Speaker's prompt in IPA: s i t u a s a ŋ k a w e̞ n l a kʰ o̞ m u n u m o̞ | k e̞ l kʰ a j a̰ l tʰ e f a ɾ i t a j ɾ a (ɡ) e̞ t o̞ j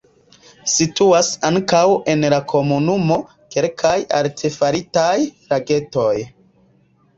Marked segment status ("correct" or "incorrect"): correct